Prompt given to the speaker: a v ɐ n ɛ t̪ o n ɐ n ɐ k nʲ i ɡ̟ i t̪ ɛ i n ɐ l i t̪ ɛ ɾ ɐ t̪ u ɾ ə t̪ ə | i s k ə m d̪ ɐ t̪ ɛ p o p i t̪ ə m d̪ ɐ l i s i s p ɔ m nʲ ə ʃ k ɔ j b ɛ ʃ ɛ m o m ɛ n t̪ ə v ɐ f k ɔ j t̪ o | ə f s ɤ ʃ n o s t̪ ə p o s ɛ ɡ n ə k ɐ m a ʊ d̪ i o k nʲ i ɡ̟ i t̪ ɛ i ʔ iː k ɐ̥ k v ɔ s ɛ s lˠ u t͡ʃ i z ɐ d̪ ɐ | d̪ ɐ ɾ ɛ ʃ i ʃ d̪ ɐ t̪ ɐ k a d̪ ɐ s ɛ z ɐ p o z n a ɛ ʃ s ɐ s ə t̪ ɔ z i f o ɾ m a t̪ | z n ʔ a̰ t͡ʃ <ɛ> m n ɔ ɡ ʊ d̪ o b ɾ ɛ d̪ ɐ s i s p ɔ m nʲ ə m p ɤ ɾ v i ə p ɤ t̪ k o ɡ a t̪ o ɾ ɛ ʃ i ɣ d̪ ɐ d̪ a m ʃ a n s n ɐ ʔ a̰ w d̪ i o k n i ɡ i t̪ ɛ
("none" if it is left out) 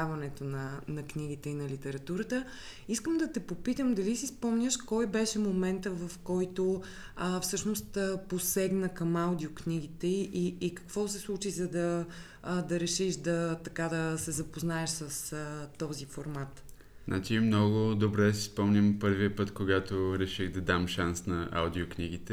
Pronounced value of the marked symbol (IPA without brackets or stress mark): i